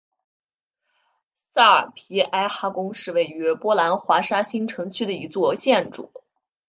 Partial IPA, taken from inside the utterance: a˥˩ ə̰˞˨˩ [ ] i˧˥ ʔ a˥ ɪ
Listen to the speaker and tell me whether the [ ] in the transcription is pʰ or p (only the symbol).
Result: pʰ